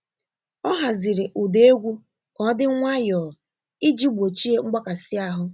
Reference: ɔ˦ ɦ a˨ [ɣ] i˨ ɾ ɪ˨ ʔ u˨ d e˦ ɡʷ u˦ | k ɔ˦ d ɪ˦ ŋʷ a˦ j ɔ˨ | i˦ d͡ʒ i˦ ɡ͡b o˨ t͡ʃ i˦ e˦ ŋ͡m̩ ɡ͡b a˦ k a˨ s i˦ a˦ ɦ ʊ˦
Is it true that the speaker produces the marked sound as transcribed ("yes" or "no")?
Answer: no